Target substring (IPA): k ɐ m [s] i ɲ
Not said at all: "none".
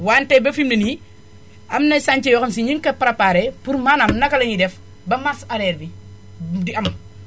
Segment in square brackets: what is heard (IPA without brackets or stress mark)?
s